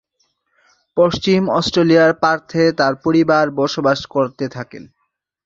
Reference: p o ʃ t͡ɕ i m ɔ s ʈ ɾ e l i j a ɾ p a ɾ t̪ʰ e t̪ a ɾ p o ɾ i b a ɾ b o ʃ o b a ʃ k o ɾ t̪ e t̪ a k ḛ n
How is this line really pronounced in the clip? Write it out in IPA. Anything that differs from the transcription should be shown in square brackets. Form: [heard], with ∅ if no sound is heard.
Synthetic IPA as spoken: p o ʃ t͡ɕ i m ɔ s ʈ ɾ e l i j a ɾ p a ɾ t̪ʰ e t̪ a ɾ p o ɾ i b a ɾ b [ɔ] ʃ o b a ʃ k o ɾ t̪ e [t̪ʰ] a k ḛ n

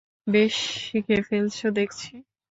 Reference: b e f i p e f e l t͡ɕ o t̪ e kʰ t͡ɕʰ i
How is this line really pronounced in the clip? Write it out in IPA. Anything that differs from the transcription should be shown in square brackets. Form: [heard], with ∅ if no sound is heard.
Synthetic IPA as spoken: b e [ʃ] i [k] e f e l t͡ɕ o [d̪] e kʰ t͡ɕʰ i

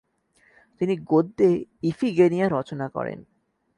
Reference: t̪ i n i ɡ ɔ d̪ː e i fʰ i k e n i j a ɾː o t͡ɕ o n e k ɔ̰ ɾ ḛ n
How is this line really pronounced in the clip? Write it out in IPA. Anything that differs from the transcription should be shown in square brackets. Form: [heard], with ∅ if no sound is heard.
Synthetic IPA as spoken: t̪ i n i ɡ [o] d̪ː e i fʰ i [ɡ] e n i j a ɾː [ɔ] t͡ɕ o n [a] k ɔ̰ ɾ ḛ n

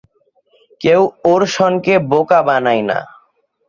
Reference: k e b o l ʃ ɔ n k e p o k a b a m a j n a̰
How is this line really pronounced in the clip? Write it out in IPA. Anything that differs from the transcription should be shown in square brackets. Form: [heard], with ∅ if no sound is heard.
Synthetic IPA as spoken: k e [w] o [ɾ] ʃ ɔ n k e [b] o k a b a [n] a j n a̰

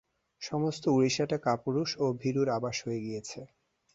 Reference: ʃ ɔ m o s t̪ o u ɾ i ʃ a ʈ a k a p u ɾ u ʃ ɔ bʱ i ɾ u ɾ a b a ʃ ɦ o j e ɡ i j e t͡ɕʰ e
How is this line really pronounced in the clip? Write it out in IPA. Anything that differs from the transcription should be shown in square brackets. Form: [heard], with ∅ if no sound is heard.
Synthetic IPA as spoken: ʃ ɔ m o s t̪ o u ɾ i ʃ a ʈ a k a p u ɾ u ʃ [o] bʱ i ɾ u ɾ a b a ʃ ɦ o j e ɡ i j e t͡ɕʰ e

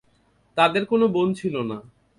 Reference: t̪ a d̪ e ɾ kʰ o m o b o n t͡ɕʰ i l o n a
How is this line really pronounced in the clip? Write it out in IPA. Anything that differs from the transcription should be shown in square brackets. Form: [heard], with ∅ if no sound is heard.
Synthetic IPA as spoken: t̪ a d̪ e ɾ [k] o [n] o b o n t͡ɕʰ i l o n a

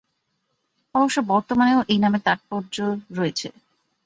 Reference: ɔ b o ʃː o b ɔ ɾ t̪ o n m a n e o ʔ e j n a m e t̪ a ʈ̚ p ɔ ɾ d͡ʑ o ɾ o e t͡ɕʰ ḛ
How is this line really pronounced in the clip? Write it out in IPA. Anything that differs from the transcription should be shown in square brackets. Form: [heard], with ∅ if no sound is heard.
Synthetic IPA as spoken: ɔ b o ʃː o b ɔ ɾ t̪ o [∅] m a n e o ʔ e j n a m e t̪ a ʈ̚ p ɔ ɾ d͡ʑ o ɾ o e t͡ɕʰ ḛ

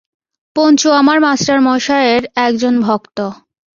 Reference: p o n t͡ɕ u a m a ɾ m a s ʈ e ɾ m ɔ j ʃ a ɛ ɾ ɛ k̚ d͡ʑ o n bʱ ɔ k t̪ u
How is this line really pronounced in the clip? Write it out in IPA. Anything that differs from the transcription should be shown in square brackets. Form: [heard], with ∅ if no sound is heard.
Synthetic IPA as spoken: p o n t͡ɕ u a m a ɾ m a s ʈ [a] ɾ m ɔ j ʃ a [e] ɾ ɛ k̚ d͡ʑ o n bʱ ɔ k t̪ [o]

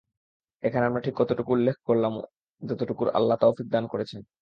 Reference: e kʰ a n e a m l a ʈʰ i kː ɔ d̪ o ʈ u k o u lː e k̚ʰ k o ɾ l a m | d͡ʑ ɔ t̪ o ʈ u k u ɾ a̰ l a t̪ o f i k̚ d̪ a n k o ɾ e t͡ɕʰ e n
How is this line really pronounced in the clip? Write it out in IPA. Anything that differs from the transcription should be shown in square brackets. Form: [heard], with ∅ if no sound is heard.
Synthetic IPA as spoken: e kʰ a n e a m [ɾ] a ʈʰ i kː ɔ [t̪] o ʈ u k [u] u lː e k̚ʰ k o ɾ l a m | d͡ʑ ɔ t̪ o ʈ u k u ɾ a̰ [lː] a t̪ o f i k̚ d̪ a n k o ɾ e t͡ɕʰ e n

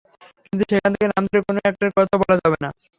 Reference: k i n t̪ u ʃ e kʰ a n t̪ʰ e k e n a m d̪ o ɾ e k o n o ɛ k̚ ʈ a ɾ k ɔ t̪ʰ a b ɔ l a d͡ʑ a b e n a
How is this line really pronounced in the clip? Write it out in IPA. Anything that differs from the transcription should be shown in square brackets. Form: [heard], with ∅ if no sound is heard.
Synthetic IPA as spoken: k i n t̪ u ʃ e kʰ a n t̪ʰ e k e n a m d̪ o ɾ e k o n o ɛ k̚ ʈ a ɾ k ɔ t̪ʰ a b ɔ l a d͡ʑ a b e n a

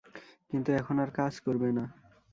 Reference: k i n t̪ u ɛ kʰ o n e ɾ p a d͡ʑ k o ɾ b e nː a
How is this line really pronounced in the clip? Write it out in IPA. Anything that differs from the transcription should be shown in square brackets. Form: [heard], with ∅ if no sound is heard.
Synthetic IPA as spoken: k i n t̪ u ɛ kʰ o n [a] ɾ [k] a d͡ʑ k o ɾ b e [n] a

